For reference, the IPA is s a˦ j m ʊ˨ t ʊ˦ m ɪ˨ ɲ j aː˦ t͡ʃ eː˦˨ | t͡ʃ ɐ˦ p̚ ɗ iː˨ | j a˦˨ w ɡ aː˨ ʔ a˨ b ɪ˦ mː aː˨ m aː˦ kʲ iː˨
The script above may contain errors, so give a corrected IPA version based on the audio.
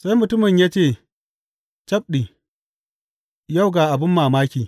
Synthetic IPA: s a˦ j m ʊ˨ t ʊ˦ m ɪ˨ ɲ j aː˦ t͡ʃ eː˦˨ | t͡ʃ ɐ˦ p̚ ɗ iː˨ | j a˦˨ w ɡ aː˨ ʔ a˨ b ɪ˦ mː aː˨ m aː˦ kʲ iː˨